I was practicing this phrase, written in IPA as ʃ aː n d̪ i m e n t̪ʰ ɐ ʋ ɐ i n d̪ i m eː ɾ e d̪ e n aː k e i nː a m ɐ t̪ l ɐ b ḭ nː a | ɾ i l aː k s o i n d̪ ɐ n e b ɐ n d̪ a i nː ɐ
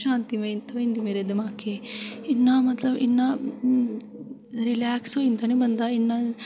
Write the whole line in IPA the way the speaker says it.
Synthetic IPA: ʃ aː n t̪ i m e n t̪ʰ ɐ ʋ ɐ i n d̪ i m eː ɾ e d̪ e m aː k e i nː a m ɐ t̪ l ɐ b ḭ nː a | ɾ i l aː k s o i n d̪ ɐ n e b ɐ n d̪ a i nː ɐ